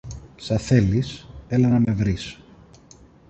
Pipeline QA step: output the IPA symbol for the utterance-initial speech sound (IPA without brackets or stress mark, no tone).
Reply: s